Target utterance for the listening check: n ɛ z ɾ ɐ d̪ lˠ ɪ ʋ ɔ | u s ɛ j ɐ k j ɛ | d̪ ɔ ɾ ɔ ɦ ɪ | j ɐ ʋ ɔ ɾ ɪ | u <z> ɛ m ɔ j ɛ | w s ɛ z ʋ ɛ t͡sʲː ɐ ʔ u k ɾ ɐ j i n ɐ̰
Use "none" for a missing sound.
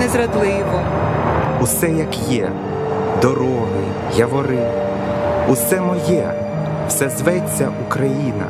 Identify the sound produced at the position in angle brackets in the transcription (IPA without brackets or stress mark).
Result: s